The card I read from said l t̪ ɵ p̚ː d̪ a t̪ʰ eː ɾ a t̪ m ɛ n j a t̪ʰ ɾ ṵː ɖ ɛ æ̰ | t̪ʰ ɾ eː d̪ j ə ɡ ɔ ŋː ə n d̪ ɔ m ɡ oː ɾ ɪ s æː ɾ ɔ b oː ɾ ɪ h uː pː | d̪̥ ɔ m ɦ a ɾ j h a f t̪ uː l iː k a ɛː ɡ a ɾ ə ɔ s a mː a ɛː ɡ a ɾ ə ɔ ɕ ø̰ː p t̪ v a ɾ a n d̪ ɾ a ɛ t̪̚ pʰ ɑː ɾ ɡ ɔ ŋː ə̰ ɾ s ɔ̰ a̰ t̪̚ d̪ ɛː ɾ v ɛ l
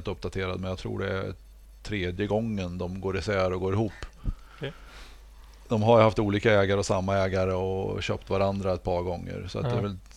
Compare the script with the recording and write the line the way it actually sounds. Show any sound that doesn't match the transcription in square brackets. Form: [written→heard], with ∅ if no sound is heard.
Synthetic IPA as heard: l t̪ ɵ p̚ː d̪ a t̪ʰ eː ɾ a [t̪→d̪] m ɛ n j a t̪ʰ ɾ ṵː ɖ ɛ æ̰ | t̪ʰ ɾ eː d̪ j ə ɡ ɔ ŋː ə n d̪ ɔ m ɡ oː ɾ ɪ s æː ɾ ɔ [b→ɡ] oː ɾ ɪ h uː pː | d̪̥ ɔ m ɦ a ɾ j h a f t̪ uː l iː k a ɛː ɡ a ɾ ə ɔ s a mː a ɛː ɡ a ɾ ə ɔ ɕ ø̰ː p t̪ v a ɾ a n d̪ ɾ a ɛ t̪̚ pʰ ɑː ɾ ɡ ɔ ŋː ə̰ ɾ s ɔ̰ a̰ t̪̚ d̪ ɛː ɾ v ɛ l